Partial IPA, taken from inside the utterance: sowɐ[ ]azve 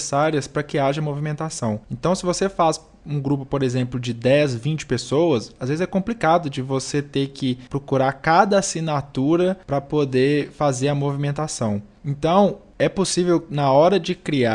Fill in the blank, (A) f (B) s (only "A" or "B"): B